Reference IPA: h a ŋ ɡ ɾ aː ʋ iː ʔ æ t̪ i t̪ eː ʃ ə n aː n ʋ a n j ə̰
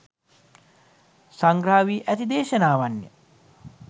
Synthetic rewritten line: s a ŋ ɡ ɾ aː ʋ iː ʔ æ t̪ i d̪ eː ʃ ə n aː ʋ a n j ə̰